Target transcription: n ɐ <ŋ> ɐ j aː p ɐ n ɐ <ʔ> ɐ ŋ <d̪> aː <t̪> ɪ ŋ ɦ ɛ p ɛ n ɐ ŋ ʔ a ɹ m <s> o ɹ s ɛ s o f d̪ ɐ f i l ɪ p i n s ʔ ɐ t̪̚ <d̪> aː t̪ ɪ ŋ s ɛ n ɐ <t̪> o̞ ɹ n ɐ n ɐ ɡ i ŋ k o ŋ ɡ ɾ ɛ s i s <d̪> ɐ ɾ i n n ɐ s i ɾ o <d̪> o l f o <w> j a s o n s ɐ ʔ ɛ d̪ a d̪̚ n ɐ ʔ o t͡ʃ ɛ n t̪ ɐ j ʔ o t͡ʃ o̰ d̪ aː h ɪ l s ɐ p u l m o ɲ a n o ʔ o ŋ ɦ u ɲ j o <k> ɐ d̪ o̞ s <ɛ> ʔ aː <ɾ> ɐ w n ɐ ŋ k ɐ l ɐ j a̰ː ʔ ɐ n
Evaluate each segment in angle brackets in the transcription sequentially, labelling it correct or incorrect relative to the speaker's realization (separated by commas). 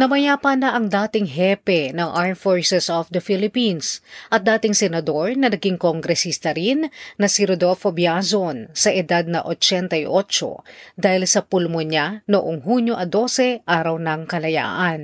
incorrect, correct, correct, correct, incorrect, correct, incorrect, incorrect, correct, incorrect, incorrect, correct, correct